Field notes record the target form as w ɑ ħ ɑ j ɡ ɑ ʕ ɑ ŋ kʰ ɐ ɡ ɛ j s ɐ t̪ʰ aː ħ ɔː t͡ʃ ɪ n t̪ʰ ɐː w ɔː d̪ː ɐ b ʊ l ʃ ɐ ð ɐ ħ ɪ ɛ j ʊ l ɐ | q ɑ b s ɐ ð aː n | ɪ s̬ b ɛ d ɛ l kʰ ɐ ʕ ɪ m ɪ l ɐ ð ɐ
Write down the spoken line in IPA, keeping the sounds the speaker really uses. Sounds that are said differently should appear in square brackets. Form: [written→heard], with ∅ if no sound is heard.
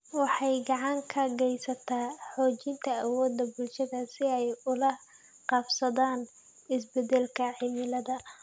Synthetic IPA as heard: w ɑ ħ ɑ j ɡ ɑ ʕ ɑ ŋ kʰ ɐ ɡ ɛ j s ɐ t̪ʰ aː ħ ɔː t͡ʃ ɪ n t̪ʰ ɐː w ɔː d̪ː ɐ b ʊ l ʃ ɐ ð ɐ [ħ→s] ɪ ɛ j ʊ l ɐ | q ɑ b s ɐ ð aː n | ɪ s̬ b ɛ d ɛ l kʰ ɐ ʕ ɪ m ɪ l ɐ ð ɐ